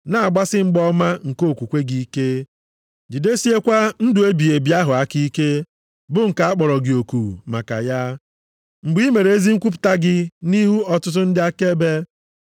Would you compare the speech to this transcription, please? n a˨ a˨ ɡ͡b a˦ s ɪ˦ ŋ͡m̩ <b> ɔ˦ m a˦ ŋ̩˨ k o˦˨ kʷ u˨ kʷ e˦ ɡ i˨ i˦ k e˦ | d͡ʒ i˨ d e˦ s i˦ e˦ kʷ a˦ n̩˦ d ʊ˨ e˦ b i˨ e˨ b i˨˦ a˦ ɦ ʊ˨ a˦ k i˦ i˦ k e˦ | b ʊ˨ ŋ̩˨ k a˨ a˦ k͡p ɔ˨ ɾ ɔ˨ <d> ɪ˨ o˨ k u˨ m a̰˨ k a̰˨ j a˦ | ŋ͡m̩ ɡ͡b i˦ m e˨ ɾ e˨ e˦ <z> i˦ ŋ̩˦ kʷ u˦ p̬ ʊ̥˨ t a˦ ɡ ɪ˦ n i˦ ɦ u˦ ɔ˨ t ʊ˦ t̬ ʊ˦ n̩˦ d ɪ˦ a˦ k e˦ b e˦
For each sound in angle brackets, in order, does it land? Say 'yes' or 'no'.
no, no, yes

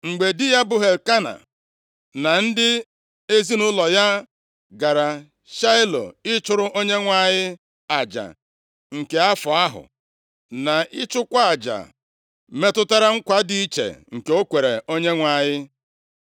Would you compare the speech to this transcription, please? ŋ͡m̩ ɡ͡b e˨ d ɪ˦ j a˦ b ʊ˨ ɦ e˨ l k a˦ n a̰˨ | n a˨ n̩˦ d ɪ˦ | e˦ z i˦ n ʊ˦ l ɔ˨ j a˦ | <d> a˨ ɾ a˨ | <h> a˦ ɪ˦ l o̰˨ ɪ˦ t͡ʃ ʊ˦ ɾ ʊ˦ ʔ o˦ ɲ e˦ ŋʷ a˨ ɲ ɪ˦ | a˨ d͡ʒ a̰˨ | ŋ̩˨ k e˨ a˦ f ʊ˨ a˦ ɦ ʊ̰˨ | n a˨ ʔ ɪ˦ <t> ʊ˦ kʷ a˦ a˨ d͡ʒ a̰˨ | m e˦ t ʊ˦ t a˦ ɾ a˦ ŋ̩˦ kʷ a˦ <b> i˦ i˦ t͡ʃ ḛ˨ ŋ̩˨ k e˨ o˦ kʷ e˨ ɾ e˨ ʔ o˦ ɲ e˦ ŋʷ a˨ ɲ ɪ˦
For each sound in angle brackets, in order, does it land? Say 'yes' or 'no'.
no, no, no, no

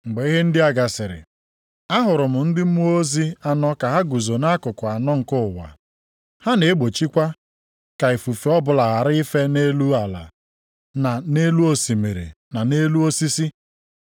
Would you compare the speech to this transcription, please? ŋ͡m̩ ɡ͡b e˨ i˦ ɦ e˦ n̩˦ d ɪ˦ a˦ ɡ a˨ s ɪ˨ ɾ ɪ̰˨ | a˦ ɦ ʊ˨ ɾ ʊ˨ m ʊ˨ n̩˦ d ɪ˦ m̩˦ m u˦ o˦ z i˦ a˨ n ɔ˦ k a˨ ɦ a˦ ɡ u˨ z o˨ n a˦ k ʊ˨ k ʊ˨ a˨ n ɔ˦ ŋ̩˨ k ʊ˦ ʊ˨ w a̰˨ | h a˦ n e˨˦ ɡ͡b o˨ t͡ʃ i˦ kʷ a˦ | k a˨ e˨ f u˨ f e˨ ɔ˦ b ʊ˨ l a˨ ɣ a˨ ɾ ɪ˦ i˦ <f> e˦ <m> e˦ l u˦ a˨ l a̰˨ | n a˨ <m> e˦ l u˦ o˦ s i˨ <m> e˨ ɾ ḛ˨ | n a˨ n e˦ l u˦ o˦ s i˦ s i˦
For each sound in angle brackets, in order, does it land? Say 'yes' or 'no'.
yes, no, no, yes

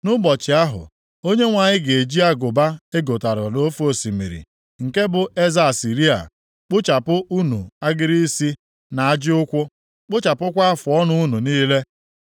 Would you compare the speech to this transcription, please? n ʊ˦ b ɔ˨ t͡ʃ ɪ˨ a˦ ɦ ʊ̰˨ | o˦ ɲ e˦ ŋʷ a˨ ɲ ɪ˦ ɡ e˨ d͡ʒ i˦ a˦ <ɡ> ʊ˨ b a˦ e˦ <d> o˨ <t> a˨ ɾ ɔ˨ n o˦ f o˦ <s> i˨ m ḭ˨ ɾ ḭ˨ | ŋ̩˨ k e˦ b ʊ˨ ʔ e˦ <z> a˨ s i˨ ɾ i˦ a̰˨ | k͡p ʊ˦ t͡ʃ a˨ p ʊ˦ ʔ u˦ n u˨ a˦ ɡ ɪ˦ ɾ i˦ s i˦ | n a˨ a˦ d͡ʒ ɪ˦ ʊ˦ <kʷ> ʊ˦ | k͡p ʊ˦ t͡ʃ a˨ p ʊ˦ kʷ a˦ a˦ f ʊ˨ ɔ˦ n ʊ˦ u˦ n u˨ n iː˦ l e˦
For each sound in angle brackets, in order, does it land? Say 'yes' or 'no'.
yes, no, yes, yes, yes, yes

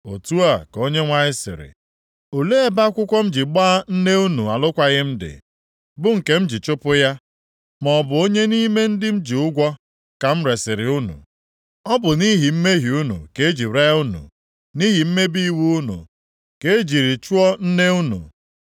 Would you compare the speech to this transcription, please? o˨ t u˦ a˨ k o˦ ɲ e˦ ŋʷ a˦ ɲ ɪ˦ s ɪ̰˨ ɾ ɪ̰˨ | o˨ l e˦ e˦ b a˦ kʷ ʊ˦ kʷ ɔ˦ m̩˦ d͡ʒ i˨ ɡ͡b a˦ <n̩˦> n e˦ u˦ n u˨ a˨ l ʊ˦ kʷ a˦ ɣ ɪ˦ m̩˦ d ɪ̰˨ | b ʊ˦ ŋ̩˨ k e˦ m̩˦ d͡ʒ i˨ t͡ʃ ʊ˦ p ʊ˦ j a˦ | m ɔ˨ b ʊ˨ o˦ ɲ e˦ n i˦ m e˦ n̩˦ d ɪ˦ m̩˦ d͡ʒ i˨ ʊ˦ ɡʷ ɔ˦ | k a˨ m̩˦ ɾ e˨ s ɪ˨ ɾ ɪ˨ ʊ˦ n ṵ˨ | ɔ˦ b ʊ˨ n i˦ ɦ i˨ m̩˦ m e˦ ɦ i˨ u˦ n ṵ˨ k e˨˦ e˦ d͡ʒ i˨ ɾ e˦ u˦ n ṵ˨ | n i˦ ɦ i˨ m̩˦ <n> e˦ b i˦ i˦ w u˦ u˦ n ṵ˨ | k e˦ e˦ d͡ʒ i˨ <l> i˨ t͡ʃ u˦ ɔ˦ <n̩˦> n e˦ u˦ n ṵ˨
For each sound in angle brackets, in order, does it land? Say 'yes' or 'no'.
yes, no, no, yes

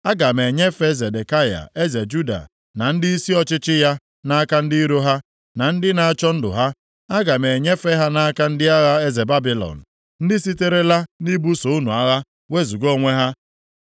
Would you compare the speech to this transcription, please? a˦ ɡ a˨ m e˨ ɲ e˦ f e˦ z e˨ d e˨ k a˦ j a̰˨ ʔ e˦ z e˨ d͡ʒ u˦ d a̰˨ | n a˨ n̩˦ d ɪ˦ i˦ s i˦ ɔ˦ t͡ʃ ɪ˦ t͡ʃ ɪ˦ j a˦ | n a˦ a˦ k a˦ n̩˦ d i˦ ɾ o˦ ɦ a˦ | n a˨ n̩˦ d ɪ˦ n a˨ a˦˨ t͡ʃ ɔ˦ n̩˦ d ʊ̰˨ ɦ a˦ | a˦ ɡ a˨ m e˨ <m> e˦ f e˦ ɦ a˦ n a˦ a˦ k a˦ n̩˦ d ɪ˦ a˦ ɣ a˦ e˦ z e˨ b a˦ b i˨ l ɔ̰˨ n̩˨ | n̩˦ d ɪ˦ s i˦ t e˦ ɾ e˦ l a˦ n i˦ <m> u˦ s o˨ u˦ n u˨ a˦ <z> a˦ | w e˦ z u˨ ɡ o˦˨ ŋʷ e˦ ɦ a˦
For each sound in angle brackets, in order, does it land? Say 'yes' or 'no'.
no, no, no

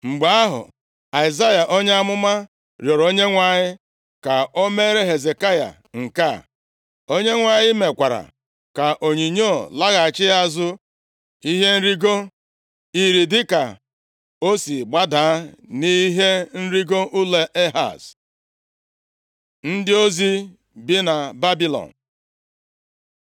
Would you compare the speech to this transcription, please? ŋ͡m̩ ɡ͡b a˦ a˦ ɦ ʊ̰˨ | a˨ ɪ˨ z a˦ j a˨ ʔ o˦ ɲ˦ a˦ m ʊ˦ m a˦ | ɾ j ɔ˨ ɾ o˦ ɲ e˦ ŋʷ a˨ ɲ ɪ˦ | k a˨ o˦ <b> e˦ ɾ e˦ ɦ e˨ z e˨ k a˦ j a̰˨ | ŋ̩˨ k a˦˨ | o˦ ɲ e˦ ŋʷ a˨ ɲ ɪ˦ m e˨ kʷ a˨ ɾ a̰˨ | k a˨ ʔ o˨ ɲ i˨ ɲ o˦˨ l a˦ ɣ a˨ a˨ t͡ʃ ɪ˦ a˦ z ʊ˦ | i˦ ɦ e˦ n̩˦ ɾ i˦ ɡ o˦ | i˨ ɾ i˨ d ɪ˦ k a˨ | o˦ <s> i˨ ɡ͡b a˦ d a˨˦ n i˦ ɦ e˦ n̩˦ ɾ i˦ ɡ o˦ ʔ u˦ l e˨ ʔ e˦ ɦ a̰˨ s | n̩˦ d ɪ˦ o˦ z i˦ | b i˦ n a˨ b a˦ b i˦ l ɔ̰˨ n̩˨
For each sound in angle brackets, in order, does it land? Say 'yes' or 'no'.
no, yes

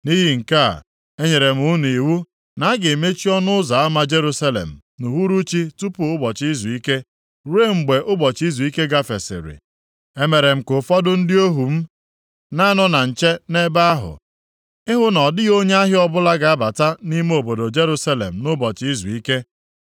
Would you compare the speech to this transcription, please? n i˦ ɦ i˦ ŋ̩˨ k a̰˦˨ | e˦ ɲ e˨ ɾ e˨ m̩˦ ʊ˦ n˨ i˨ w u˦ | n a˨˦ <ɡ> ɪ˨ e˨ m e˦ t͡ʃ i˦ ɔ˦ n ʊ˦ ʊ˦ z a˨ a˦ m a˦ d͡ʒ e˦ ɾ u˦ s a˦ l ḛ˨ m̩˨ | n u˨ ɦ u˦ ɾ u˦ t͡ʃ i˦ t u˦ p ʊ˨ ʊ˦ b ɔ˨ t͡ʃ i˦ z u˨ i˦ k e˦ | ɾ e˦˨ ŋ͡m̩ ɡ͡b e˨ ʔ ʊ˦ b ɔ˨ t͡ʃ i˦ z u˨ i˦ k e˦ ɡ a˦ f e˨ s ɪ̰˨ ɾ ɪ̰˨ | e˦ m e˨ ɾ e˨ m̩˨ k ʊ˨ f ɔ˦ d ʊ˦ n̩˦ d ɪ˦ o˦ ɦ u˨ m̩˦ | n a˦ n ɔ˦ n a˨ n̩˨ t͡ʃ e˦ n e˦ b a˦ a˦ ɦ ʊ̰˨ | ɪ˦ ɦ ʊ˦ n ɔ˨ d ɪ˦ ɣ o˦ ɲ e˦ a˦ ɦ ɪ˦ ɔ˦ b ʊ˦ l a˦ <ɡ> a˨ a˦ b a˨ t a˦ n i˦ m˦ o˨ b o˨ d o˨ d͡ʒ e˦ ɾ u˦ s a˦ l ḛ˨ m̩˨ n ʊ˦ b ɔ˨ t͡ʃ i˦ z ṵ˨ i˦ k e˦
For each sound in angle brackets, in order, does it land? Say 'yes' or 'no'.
yes, yes

